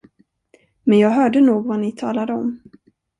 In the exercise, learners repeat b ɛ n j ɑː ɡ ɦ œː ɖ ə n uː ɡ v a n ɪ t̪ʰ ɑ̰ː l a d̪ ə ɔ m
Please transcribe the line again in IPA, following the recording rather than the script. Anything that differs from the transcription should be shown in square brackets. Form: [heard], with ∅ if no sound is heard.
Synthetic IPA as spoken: [m] ɛ n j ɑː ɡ ɦ œː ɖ ə n uː ɡ v a n ɪ t̪ʰ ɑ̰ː l a d̪ ə ɔ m